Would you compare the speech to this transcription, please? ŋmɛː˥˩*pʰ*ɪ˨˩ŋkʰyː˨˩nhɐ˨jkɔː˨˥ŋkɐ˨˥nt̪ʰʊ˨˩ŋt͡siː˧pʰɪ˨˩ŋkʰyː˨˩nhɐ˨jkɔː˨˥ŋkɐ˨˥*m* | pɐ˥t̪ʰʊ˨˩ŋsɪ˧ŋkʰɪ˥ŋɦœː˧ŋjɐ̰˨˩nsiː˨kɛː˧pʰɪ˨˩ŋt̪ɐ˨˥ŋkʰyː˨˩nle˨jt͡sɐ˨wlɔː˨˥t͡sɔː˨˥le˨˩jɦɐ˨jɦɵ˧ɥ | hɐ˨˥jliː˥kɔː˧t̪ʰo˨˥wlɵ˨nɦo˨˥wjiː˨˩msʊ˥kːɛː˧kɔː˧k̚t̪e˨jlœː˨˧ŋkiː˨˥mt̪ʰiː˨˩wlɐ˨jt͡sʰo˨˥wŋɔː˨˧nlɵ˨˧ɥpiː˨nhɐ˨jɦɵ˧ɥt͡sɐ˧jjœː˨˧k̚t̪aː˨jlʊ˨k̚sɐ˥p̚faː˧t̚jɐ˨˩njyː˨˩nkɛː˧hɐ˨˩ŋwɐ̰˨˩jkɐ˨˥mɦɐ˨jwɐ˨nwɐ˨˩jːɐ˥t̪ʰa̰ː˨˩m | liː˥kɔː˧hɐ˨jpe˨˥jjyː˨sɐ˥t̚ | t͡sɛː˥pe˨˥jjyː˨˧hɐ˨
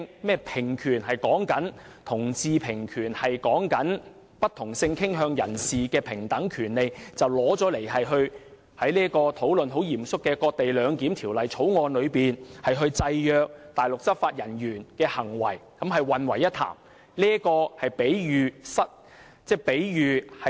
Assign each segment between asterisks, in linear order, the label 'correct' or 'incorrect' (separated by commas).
correct, incorrect